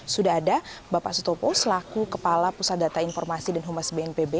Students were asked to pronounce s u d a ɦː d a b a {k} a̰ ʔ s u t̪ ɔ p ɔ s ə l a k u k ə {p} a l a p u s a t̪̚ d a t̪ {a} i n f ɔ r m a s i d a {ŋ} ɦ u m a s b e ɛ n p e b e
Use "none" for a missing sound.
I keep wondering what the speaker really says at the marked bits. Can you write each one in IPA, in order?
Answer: p, p, a, n

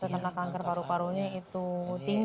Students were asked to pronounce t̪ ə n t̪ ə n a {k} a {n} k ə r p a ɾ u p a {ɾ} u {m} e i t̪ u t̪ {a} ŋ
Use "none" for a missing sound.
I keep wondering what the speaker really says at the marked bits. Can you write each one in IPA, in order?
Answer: k, ŋ, ɾ, ɲ, i

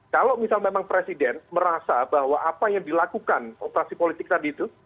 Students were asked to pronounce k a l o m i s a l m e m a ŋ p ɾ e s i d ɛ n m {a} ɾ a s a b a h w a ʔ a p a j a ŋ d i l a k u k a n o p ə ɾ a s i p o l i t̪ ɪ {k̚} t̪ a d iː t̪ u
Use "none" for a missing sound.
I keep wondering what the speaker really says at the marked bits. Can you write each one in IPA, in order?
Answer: ə, k̚

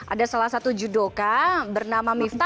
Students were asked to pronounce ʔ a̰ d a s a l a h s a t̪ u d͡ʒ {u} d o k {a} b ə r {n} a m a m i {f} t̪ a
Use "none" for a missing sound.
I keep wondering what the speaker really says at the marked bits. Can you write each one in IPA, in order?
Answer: u, a, n, f

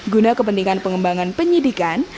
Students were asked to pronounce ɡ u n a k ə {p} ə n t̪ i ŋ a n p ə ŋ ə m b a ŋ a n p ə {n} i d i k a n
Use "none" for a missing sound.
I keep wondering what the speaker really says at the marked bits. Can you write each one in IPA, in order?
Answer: p, ɲ

